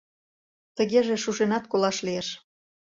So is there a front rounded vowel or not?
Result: no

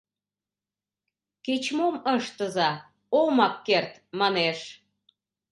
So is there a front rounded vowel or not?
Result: no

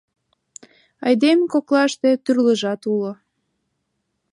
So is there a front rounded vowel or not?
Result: yes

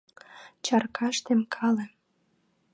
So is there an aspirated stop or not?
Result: yes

